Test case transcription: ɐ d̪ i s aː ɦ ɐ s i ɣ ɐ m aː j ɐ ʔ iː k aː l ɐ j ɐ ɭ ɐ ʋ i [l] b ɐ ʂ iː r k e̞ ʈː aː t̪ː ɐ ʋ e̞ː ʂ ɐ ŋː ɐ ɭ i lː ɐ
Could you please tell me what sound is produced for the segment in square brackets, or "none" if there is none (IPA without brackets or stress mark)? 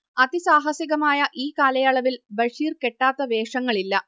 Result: l